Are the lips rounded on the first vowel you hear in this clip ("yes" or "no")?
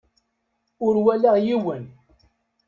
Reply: yes